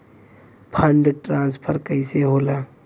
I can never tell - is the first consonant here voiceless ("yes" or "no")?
yes